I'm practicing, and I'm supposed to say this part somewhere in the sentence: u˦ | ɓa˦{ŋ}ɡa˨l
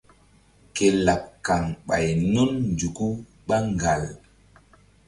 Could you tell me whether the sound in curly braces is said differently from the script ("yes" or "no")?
no